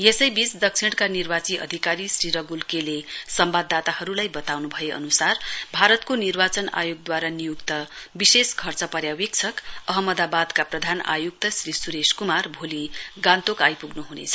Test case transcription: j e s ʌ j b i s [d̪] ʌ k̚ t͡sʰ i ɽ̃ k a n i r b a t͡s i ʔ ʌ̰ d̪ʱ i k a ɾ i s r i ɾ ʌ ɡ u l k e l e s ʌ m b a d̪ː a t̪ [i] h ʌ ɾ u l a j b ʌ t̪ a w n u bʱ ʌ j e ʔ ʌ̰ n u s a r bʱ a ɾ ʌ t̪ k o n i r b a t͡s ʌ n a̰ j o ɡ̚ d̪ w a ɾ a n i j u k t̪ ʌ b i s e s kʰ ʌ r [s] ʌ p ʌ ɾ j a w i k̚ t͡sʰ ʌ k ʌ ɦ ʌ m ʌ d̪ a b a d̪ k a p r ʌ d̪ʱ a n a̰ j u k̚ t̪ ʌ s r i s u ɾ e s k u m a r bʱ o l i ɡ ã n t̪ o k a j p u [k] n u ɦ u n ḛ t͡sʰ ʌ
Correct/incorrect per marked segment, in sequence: correct, incorrect: a, incorrect: t͡s, incorrect: ɡ

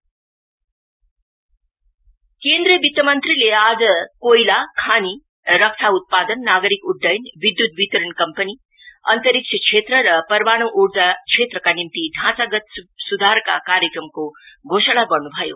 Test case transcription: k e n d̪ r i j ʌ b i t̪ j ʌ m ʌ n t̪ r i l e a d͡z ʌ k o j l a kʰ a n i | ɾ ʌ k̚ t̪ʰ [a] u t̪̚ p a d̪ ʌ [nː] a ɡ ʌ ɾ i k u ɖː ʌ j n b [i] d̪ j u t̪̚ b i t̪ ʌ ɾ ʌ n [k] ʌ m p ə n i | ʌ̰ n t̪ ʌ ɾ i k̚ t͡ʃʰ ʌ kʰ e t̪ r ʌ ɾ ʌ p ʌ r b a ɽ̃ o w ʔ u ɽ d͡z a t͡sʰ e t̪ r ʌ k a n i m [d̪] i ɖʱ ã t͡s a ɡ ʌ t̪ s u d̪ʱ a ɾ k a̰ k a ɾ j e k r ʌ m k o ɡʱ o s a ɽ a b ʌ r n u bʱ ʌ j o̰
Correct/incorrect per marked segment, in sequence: correct, correct, correct, correct, incorrect: t̪

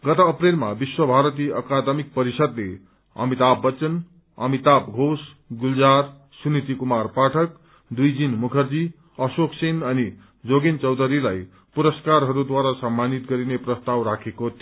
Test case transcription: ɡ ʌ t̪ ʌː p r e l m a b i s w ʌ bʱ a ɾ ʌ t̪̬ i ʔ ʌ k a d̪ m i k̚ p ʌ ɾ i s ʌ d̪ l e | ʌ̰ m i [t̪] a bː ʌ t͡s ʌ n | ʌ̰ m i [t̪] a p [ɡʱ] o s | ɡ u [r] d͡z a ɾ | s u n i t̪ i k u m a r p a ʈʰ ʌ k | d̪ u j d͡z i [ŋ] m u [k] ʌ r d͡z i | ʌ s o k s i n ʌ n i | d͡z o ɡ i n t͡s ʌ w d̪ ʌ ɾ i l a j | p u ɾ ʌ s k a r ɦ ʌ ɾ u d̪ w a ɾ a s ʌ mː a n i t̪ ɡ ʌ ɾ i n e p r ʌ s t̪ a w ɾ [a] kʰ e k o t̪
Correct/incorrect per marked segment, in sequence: correct, correct, correct, incorrect: l, incorrect: n, incorrect: kʰ, correct

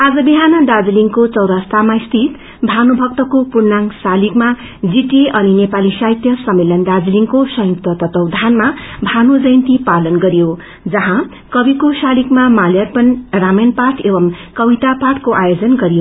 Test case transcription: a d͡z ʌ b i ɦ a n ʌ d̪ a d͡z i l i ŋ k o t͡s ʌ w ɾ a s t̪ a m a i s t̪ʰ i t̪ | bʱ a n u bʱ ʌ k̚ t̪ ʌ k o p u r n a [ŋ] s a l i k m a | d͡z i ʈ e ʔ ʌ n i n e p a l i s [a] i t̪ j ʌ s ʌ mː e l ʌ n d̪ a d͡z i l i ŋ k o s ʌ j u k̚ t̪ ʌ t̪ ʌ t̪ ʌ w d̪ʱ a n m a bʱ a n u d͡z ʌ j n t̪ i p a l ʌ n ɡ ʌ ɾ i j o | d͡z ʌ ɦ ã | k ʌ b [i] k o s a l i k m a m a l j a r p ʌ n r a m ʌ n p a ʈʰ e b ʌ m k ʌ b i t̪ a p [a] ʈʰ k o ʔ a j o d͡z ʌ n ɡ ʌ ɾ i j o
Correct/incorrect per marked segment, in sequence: correct, correct, correct, correct

